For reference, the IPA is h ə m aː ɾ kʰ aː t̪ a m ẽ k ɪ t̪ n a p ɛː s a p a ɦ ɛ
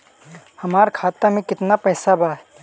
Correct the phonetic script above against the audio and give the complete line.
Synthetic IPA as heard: h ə m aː ɾ kʰ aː t̪ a m ẽ k ɪ t̪ n a p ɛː s a b a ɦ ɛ